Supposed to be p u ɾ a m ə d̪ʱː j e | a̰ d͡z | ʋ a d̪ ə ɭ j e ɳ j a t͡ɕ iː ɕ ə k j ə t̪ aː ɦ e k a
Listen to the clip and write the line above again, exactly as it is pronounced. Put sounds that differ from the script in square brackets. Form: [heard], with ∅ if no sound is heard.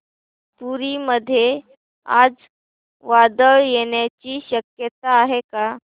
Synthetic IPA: p u ɾ [i] m ə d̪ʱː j e | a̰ d͡z | ʋ a d̪ ə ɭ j e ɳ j a t͡ɕ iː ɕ ə k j ə t̪ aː ɦ e k a